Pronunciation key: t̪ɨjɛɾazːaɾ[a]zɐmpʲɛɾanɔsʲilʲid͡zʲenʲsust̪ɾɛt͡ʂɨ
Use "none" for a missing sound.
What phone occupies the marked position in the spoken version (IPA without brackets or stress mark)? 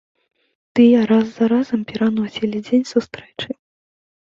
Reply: a